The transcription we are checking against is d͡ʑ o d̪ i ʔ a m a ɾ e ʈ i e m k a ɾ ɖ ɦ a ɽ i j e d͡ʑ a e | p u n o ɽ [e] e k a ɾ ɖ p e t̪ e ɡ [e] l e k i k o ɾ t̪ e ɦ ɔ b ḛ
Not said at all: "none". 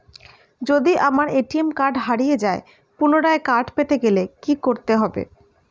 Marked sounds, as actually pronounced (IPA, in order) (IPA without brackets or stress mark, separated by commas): a, e